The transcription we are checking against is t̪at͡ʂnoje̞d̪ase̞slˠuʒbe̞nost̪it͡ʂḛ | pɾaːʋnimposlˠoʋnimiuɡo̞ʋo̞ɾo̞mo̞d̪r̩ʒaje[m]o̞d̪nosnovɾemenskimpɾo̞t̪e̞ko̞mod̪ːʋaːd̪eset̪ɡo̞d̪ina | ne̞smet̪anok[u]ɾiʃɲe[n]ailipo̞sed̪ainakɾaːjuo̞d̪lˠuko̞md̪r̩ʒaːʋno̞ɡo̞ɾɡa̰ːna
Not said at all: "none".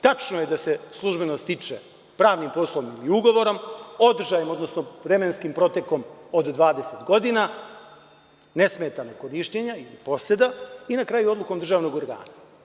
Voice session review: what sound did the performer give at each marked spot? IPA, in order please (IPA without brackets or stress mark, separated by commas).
m, o, ɲ